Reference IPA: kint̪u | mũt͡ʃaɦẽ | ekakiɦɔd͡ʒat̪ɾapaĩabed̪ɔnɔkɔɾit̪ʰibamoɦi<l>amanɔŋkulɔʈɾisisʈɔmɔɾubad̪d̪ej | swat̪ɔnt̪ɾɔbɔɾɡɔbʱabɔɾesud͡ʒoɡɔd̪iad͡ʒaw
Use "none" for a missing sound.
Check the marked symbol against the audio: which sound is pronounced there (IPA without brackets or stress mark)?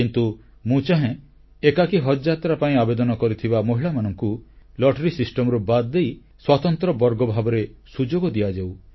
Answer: ɭ